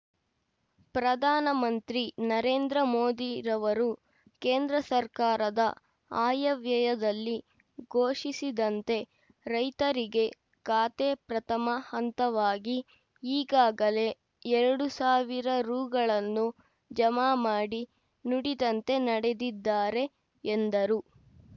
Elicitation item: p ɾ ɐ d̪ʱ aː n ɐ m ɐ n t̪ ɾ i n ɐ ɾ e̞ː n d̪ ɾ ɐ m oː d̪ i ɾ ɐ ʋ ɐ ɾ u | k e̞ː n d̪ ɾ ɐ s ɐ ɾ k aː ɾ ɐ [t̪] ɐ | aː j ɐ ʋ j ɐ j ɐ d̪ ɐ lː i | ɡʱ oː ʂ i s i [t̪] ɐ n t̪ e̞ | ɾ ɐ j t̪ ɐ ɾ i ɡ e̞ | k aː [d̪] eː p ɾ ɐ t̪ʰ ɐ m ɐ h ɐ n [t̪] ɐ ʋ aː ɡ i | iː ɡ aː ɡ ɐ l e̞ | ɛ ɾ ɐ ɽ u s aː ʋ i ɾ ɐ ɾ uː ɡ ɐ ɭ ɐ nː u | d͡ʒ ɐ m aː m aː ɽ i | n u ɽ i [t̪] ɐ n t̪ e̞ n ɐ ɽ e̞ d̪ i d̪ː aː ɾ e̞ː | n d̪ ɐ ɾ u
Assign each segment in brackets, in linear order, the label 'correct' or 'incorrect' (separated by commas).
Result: incorrect, incorrect, incorrect, correct, incorrect